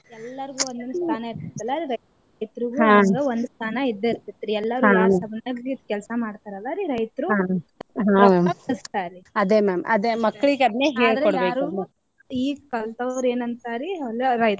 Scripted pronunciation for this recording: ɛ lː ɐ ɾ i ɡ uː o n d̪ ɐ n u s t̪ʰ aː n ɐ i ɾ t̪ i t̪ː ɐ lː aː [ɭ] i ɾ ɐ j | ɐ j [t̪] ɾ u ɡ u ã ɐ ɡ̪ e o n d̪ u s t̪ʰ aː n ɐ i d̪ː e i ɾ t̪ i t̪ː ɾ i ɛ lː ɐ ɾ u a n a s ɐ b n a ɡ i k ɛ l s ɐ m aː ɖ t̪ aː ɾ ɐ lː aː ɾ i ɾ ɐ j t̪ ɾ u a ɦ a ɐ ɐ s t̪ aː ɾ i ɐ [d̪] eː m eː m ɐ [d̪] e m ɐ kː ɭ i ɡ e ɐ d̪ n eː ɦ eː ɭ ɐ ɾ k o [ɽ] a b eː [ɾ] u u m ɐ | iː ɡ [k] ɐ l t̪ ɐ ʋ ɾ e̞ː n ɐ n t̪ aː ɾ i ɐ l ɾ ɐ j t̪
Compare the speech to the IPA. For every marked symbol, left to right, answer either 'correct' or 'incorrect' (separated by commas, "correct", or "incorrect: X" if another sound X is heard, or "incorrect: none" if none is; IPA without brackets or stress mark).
incorrect: ɾ, correct, correct, correct, correct, correct, correct